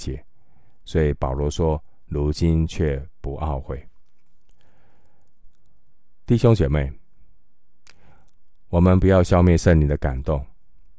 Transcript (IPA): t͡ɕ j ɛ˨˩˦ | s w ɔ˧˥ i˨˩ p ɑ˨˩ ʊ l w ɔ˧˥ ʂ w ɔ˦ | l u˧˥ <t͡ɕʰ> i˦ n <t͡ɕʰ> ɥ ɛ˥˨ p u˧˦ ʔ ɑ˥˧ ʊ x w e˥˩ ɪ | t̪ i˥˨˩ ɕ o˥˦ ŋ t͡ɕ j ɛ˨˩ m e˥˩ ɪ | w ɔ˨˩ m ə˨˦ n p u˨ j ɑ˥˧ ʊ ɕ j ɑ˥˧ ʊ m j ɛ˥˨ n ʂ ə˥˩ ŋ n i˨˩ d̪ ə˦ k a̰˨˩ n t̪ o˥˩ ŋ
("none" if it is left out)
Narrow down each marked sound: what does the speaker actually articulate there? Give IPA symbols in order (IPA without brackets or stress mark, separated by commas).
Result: t͡ɕ, t͡ɕʰ